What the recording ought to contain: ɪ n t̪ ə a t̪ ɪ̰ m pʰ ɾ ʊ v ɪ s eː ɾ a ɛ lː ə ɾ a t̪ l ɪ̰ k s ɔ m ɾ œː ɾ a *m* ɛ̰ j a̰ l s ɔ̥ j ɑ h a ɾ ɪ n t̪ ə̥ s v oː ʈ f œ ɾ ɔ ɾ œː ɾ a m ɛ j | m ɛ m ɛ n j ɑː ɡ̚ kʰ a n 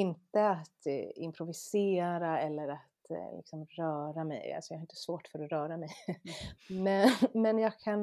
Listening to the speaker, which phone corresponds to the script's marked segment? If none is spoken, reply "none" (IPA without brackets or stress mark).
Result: m